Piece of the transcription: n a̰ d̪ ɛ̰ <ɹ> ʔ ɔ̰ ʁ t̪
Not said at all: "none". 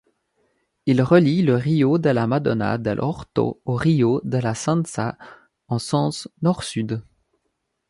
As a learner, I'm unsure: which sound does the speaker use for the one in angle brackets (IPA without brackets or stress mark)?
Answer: l